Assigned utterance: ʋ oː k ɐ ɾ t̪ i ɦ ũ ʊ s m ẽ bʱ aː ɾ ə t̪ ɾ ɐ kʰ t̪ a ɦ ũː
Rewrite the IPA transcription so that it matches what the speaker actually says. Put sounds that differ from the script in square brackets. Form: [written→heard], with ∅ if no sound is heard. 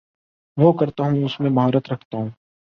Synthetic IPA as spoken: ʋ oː k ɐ ɾ t̪ [i→a] ɦ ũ ʊ s m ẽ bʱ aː ɾ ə t̪ ɾ ɐ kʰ t̪ a ɦ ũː